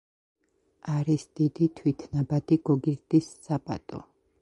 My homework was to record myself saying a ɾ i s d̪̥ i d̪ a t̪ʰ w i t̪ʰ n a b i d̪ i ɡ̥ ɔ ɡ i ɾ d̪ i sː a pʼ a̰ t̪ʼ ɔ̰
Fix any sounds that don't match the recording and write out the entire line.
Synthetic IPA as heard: a ɾ i s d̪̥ i d̪ i t̪ʰ w i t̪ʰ n a b a d̪ i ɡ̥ ɔ ɡ i ɾ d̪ i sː a pʼ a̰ t̪ʼ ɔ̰